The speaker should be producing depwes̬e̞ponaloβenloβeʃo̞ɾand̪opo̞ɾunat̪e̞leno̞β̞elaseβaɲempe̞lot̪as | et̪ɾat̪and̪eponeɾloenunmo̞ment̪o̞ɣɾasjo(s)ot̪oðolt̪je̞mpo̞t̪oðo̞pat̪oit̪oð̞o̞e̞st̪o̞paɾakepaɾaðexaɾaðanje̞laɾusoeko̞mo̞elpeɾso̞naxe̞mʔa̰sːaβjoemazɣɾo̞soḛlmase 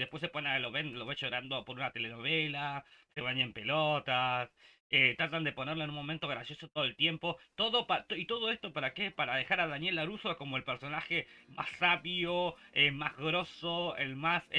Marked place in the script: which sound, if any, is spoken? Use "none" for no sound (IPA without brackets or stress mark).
s